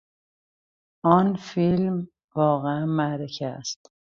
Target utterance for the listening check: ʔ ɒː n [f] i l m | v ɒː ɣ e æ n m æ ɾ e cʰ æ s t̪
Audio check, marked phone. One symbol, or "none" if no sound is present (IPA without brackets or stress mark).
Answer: f